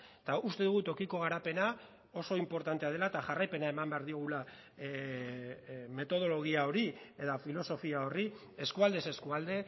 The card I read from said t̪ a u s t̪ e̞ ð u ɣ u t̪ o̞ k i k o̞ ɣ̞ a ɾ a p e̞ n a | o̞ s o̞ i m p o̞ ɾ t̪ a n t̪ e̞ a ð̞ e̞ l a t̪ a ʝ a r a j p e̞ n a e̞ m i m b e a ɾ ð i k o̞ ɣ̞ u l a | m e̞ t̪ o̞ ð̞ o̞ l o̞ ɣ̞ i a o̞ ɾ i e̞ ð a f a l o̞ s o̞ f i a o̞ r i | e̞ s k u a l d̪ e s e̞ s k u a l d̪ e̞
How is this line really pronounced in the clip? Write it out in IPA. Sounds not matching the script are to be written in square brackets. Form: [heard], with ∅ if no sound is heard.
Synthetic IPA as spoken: t̪ a u s t̪ e̞ ð u ɣ u t̪ o̞ k i k o̞ ɣ̞ a ɾ a p e̞ n a | o̞ s o̞ i m p o̞ ɾ t̪ a n t̪ e̞ a ð̞ e̞ l a t̪ a ʝ a r a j p e̞ n a e̞ m [a] m b e a ɾ ð i [∅] o̞ ɣ̞ u l a | m e̞ t̪ o̞ ð̞ o̞ l o̞ ɣ̞ i a o̞ ɾ i e̞ ð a f [i] l o̞ s o̞ f i a o̞ r i | e̞ s k u a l d̪ e s e̞ s k u a l d̪ e̞

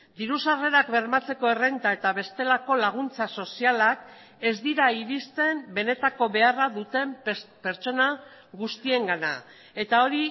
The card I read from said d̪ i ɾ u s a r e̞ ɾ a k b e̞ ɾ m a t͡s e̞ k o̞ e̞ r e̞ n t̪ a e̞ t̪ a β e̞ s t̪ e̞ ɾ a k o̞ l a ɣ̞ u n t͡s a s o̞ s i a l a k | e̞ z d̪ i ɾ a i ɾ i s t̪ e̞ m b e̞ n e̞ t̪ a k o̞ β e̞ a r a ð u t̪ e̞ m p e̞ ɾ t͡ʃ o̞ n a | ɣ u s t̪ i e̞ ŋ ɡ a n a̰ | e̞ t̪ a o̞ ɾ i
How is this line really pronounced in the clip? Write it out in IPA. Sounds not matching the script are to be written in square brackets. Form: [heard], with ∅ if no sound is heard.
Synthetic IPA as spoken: d̪ i ɾ u s a r e̞ ɾ a k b e̞ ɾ m a t͡s e̞ k o̞ e̞ r e̞ n t̪ a e̞ t̪ a β e̞ s t̪ e̞ [l] a k o̞ l a ɣ̞ u n t͡s a s o̞ s i a l a k | e̞ z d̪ i ɾ a i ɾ i s t̪ e̞ m b e̞ n e̞ t̪ a k o̞ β e̞ a r a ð u t̪ e̞ m p e̞ ɾ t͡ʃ o̞ n a | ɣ u s t̪ i e̞ ŋ ɡ a n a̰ | e̞ t̪ a o̞ ɾ i

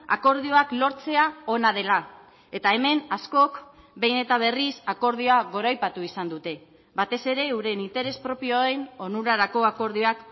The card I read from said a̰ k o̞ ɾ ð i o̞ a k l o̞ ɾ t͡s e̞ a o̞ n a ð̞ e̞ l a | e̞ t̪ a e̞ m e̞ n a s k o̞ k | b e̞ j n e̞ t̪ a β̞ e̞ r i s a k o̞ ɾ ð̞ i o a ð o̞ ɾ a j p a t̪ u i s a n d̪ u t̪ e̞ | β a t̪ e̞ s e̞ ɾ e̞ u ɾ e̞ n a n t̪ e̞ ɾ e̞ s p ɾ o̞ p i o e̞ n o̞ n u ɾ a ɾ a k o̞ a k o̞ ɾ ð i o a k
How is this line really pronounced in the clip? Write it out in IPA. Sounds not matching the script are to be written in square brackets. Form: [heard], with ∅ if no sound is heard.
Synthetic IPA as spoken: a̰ k o̞ ɾ ð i o̞ a k l o̞ ɾ t͡s e̞ a o̞ n a ð̞ e̞ l a | e̞ t̪ a e̞ m e̞ n a s k o̞ k | b e̞ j n e̞ t̪ a β̞ e̞ r i s a k o̞ ɾ ð̞ i o a [ɣ] o̞ ɾ a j p a t̪ u i s a n d̪ u t̪ e̞ | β a t̪ e̞ s e̞ ɾ e̞ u ɾ e̞ n [i] n t̪ e̞ ɾ e̞ s p ɾ o̞ p i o e̞ n o̞ n u ɾ a ɾ a k o̞ a k o̞ ɾ ð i o a k

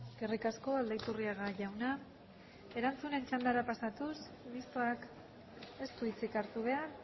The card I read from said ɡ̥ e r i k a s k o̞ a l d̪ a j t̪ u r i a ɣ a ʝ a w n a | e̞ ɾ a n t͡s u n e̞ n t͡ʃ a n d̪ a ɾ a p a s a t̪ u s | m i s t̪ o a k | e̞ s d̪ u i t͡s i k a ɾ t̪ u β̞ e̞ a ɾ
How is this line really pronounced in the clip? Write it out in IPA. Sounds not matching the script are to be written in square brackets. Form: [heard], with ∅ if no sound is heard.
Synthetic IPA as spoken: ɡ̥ e r i k a s k o̞ a l d̪ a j t̪ u r i a ɣ a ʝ a w n a | e̞ ɾ a n t͡s u n e̞ n t͡ʃ a n d̪ a ɾ a p a s a t̪ u s | m i s t̪ o a k | e̞ s [t̪] u i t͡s i k a ɾ t̪ u β̞ e̞ a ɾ

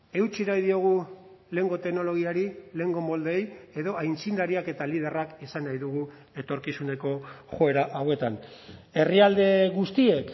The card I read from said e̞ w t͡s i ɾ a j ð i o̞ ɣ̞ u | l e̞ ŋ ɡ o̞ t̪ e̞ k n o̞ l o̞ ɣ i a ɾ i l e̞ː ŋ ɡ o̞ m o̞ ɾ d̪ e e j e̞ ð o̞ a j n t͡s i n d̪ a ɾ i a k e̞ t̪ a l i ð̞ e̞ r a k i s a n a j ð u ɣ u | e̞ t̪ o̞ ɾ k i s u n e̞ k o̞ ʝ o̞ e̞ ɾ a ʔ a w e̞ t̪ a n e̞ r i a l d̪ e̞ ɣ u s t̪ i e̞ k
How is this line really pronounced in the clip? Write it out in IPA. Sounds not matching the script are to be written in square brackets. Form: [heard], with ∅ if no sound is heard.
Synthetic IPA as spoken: e̞ w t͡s i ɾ a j ð i o̞ ɣ̞ u | l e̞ ŋ ɡ o̞ t̪ e̞ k n o̞ l o̞ ɣ i a ɾ i l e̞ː ŋ ɡ o̞ m o̞ [l] d̪ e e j e̞ ð o̞ a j n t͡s i n d̪ a ɾ i a k e̞ t̪ a l i ð̞ e̞ r a k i s a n a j ð u ɣ u | e̞ t̪ o̞ ɾ k i s u n e̞ k o̞ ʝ o̞ e̞ ɾ a ʔ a w e̞ t̪ a n e̞ r i a l d̪ e̞ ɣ u s t̪ i e̞ k

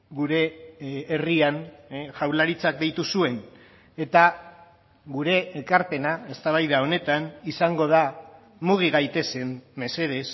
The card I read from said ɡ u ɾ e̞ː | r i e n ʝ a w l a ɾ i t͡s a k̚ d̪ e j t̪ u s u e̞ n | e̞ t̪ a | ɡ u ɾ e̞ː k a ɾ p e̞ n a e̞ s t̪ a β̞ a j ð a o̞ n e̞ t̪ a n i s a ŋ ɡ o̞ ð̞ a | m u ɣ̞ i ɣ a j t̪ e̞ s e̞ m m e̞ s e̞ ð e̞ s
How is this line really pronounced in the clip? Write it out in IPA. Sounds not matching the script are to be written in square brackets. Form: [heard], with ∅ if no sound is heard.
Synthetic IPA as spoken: ɡ u ɾ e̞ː | r i [a] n ʝ a w l a ɾ i t͡s a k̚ d̪ e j t̪ u s u e̞ n | e̞ t̪ a | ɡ u ɾ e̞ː k a ɾ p e̞ n a e̞ s t̪ a β̞ a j ð a o̞ n e̞ t̪ a n i s a ŋ ɡ o̞ ð̞ a | m u ɣ̞ i ɣ a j t̪ e̞ s e̞ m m e̞ s e̞ ð e̞ s

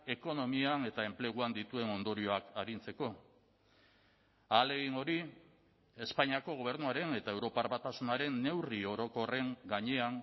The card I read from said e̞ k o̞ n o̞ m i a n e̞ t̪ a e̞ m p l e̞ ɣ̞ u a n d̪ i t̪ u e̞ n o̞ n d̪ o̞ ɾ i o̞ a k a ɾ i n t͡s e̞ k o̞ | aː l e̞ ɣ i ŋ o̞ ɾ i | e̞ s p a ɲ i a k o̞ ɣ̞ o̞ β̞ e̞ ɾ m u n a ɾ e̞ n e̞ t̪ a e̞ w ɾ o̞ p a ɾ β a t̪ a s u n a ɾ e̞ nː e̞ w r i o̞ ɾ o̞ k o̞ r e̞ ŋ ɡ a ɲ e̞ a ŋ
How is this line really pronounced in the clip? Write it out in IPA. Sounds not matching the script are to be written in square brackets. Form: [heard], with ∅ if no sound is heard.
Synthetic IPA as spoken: e̞ k o̞ n o̞ m i a n e̞ t̪ a e̞ m p l e̞ ɣ̞ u a n d̪ i t̪ u e̞ n o̞ n d̪ o̞ ɾ i o̞ a k a ɾ i n t͡s e̞ k o̞ | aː l e̞ ɣ i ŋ o̞ ɾ i | e̞ s p a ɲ i a k o̞ ɣ̞ o̞ β̞ e̞ ɾ [n] u [∅] a ɾ e̞ n e̞ t̪ a e̞ w ɾ o̞ p a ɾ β a t̪ a s u n a ɾ e̞ nː e̞ w r i o̞ ɾ o̞ k o̞ r e̞ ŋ ɡ a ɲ e̞ a ŋ

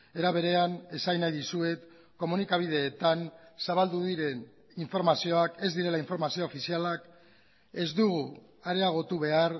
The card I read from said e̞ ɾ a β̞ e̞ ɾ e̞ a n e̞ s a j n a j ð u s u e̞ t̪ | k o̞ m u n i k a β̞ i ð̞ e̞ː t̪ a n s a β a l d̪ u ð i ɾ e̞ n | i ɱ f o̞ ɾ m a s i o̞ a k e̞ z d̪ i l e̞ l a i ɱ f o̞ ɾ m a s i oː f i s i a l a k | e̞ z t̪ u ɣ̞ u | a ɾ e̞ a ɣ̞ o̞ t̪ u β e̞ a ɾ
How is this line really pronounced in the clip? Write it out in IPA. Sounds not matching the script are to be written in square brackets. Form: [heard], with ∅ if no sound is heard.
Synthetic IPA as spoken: e̞ ɾ a β̞ e̞ ɾ e̞ a n e̞ s a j n a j ð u s u e̞ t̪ | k o̞ m u n i k a β̞ i ð̞ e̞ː t̪ a n s a β a l d̪ u ð i ɾ e̞ n | i ɱ f o̞ ɾ m a s i o̞ a k e̞ z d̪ i [ɾ] e̞ l a i ɱ f o̞ ɾ m a s i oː f i s i a l a k | e̞ z [d̪] u ɣ̞ u | a ɾ e̞ a ɣ̞ o̞ t̪ u β e̞ a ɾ

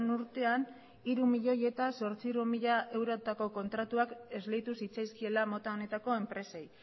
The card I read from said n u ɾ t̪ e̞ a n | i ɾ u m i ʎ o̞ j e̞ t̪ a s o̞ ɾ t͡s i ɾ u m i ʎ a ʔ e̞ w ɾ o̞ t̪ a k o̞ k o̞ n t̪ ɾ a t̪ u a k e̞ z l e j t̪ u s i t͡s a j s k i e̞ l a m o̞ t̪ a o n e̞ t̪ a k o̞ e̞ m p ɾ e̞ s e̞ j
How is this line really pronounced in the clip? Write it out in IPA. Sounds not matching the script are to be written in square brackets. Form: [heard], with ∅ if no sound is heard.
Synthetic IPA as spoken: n u ɾ t̪ e̞ a n | i ɾ u m i ʎ o̞ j e̞ t̪ a s o̞ ɾ t͡s i ɾ u m i ʎ a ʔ e̞ w ɾ o̞ t̪ a k o̞ k o̞ n t̪ ɾ a t̪ u a k e̞ z l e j t̪ u s i t͡s a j s k i e̞ l a m o̞ t̪ a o n e̞ t̪ a k o̞ e̞ m p ɾ e̞ s e̞ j

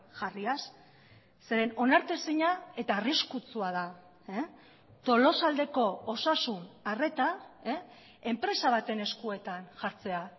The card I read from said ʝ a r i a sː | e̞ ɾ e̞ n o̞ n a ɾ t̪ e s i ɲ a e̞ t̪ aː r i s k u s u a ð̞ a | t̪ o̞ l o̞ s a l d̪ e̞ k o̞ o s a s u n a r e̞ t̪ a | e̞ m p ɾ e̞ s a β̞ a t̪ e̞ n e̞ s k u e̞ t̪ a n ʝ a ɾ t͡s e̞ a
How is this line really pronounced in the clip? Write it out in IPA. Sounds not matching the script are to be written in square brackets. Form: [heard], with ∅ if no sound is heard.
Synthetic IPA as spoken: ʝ a r i a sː | e̞ ɾ e̞ n o̞ n a ɾ t̪ e s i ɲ a e̞ t̪ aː r i s k u [t͡s] u a ð̞ a | t̪ o̞ l o̞ s a l d̪ e̞ k o̞ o s a s u n a r e̞ t̪ a | e̞ m p ɾ e̞ s a β̞ a t̪ e̞ n e̞ s k u e̞ t̪ a n ʝ a ɾ t͡s e̞ a

